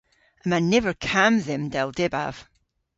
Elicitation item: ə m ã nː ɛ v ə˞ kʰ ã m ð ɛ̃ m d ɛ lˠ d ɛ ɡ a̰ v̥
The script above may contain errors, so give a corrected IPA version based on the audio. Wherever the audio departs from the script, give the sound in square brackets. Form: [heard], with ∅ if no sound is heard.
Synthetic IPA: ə m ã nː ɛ v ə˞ kʰ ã m ð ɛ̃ m d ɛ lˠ d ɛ [b] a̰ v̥